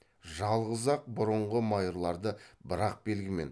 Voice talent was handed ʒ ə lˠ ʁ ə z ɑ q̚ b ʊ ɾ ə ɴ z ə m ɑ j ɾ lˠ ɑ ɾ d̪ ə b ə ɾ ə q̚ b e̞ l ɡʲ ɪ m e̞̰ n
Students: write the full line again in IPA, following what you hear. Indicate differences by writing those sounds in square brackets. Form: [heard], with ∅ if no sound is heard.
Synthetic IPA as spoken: ʒ [ɑ] lˠ ʁ ə z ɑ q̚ b ʊ ɾ ə ɴ [ʁ] ə m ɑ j ɾ lˠ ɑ ɾ d̪ ə b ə ɾ [ɑ] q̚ b e̞ l ɡʲ ɪ m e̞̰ n